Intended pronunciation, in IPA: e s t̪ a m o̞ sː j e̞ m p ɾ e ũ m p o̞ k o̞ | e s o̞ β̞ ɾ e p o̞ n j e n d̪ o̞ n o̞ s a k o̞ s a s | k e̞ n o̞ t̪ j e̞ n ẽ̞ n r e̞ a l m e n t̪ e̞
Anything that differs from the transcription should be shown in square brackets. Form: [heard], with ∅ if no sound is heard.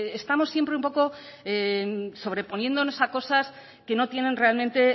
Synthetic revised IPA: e s t̪ a m o̞ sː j e̞ m p ɾ e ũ m p o̞ k o̞ | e s o̞ β̞ ɾ e p o̞ n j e n d̪ o̞ n o̞ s a k o̞ s a s | k e̞ n o̞ t̪ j e̞ n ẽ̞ n r e̞ a l m [ẽ] n t̪ e̞